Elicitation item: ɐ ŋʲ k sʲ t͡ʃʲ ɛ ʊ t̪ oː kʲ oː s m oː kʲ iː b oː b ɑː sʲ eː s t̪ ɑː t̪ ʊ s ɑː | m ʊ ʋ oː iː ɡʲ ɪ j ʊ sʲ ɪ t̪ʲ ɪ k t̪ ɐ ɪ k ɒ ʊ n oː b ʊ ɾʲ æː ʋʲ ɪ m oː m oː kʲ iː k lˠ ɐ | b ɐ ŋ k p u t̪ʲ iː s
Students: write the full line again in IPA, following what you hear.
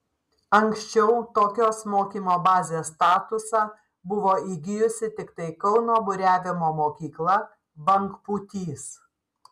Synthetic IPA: ɐ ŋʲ k sʲ t͡ʃʲ ɛ ʊ t̪ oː kʲ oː s m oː kʲ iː m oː b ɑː zʲ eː s t̪ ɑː t̪ ʊ s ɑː | b ʊ ʋ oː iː ɡʲ ɪ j ʊ sʲ ɪ t̪ʲ ɪ k t̪ ɐ ɪ k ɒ ʊ n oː b ʊ ɾʲ æː ʋʲ ɪ m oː m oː kʲ iː k lˠ ɐ | b ɐ ŋ k p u t̪ʲ iː s